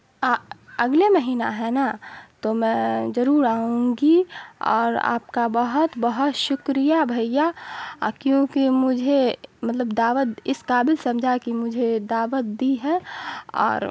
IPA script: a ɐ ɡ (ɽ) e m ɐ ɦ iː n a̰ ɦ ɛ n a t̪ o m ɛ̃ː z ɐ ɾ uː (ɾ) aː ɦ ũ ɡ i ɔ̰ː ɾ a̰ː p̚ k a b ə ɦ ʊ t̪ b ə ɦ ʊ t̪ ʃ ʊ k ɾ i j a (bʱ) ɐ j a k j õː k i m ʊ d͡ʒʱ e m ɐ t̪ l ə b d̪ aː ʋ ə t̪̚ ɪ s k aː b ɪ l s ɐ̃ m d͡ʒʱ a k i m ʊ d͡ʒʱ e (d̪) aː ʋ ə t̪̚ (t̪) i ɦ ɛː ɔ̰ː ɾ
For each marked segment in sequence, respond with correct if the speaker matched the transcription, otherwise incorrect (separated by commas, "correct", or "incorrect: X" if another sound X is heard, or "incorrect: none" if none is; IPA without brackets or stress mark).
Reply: incorrect: l, correct, correct, correct, incorrect: d̪